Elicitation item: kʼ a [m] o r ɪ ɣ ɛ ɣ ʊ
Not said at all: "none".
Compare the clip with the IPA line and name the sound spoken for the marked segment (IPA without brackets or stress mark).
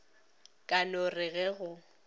n